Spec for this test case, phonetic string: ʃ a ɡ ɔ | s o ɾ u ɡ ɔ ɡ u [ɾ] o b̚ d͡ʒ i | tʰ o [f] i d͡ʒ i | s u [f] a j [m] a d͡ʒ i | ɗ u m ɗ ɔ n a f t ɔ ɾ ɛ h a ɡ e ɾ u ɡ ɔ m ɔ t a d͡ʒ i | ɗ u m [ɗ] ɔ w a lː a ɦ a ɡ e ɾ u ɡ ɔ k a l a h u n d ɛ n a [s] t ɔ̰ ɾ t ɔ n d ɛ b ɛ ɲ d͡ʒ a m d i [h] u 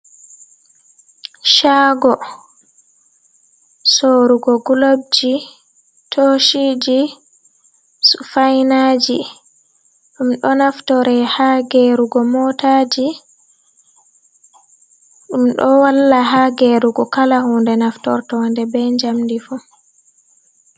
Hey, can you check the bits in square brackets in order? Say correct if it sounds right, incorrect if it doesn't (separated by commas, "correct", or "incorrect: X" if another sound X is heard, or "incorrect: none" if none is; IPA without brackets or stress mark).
incorrect: l, incorrect: ʃ, correct, incorrect: n, correct, incorrect: f, incorrect: f